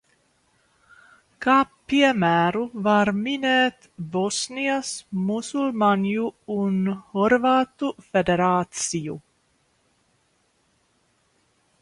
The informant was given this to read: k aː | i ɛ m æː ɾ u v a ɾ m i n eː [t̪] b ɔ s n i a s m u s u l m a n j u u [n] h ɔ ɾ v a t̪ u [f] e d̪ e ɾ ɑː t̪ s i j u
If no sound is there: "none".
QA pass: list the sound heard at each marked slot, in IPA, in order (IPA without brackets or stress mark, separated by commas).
t̪, n, f